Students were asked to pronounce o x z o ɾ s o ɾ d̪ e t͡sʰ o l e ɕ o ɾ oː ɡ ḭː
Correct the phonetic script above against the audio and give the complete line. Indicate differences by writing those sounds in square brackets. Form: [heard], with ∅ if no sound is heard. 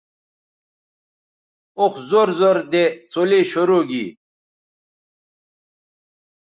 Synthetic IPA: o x z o ɾ [z] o ɾ d̪ e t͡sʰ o l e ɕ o ɾ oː ɡ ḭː